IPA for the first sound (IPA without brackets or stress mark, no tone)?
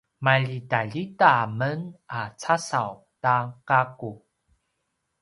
m